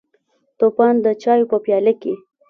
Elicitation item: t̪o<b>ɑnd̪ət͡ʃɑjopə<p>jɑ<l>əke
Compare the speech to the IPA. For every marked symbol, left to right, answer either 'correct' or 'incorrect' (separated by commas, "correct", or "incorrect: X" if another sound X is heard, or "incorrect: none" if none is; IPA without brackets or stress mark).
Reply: incorrect: p, correct, correct